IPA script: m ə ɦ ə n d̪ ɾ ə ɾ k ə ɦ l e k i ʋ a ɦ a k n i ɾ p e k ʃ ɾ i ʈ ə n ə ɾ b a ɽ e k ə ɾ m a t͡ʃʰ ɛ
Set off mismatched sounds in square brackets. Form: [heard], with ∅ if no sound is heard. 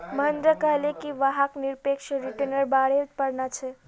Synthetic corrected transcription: m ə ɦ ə n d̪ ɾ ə [∅] k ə ɦ l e k i ʋ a ɦ a k n i ɾ p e k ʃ ɾ i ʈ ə n ə ɾ b a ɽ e [p] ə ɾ [n] a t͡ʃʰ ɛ